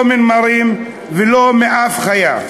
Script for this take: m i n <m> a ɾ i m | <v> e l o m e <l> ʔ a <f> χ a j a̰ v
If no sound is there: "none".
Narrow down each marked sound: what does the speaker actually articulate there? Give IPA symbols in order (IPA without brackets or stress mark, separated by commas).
m, v, none, f